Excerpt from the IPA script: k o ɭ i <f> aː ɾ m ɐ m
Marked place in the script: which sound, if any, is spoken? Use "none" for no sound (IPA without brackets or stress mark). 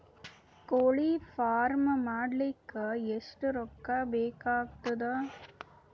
f